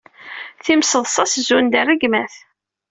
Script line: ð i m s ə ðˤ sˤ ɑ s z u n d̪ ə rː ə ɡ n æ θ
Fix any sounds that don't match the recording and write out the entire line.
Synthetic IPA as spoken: θ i m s ə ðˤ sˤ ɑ s z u n d̪ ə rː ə ɡ m æ θ